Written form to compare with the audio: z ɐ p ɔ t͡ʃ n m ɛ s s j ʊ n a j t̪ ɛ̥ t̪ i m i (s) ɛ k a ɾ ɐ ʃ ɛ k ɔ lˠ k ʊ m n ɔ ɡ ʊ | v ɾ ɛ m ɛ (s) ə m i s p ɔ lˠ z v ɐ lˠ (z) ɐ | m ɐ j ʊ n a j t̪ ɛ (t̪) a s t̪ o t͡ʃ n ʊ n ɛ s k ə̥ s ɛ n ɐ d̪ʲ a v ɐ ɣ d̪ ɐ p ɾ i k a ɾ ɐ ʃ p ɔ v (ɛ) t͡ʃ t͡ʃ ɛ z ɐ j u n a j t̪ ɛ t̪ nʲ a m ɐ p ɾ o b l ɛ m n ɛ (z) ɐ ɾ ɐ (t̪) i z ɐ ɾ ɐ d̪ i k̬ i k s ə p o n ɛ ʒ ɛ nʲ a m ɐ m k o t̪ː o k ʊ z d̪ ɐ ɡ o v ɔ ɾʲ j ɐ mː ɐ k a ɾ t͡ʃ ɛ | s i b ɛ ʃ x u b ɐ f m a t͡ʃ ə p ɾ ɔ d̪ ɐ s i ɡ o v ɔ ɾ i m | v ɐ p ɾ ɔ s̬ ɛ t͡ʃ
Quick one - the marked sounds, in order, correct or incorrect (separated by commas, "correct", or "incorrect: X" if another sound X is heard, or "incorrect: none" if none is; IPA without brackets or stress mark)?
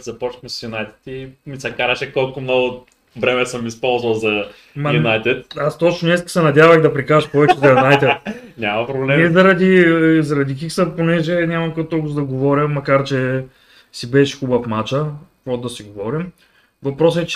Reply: correct, correct, correct, correct, correct, correct, incorrect: d̪